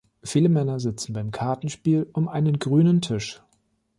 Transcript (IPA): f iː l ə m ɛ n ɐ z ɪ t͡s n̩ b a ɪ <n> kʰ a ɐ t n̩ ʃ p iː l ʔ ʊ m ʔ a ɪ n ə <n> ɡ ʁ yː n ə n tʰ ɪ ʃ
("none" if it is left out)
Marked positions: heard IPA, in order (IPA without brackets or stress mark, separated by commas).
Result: m, n